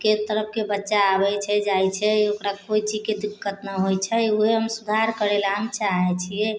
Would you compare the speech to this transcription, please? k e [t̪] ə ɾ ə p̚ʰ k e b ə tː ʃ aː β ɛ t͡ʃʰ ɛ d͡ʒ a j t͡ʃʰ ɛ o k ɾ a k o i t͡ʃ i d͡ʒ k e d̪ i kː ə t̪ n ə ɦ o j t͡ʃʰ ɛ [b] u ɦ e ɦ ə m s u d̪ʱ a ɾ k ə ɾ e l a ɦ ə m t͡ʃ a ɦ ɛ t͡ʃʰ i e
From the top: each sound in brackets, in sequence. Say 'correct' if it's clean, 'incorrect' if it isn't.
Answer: correct, incorrect

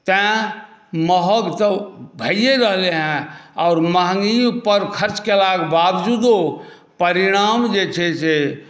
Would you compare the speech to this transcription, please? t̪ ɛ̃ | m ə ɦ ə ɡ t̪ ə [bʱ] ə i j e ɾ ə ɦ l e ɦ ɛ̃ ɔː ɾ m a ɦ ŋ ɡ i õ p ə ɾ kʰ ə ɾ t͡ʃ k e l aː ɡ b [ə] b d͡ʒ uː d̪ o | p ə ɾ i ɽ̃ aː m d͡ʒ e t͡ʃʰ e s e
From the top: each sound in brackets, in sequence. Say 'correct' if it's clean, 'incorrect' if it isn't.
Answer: correct, incorrect

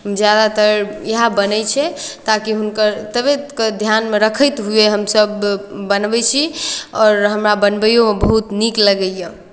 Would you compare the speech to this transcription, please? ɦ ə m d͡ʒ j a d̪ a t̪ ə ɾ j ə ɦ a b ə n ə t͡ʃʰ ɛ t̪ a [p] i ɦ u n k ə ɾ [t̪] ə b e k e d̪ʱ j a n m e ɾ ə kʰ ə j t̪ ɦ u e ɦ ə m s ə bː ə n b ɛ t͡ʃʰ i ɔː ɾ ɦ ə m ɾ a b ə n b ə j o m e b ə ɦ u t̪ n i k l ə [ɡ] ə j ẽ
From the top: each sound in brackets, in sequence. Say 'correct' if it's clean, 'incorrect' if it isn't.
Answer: incorrect, correct, correct

